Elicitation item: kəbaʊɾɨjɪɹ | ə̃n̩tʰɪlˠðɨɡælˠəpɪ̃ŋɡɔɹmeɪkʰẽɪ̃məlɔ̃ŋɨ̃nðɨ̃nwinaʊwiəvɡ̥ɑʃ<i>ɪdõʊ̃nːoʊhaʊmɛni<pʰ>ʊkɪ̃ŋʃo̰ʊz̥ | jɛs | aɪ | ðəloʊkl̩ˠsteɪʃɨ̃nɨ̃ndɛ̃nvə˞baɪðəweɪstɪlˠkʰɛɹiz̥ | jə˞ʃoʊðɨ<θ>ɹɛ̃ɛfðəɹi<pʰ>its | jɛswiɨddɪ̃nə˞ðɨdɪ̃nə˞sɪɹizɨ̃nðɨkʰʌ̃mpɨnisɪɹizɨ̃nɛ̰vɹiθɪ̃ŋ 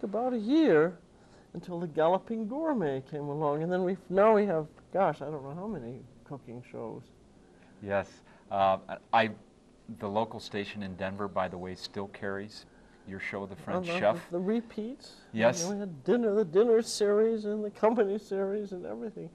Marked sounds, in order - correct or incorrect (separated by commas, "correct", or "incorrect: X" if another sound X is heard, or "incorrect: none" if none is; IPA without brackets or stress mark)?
incorrect: a, incorrect: kʰ, incorrect: f, correct